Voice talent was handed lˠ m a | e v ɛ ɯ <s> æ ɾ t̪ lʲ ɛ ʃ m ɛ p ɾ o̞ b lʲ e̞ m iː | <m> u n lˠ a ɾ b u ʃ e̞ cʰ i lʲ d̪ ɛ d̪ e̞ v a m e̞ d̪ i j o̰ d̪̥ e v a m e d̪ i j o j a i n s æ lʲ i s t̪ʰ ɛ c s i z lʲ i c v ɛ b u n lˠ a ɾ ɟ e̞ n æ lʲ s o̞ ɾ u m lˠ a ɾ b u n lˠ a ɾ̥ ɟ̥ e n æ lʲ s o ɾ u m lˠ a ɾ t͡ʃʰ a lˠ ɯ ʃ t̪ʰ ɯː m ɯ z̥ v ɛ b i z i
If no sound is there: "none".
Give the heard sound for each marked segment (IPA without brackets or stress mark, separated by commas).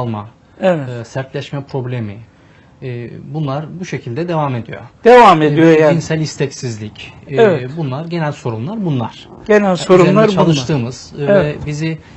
s, b